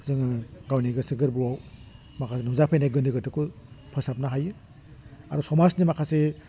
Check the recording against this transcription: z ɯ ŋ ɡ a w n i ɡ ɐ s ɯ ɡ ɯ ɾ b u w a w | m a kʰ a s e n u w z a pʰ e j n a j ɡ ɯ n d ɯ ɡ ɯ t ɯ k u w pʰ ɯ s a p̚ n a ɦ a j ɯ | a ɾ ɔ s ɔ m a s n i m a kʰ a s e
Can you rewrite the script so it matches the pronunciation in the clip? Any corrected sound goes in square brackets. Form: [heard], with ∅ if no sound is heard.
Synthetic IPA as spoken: z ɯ ŋ ɡ a w n i ɡ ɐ s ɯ ɡ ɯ ɾ b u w a w | m a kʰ a s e n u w z a pʰ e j n a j ɡ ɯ n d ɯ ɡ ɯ t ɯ k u [∅] pʰ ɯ s a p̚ n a ɦ a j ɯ | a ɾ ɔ s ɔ m a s n i m a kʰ a s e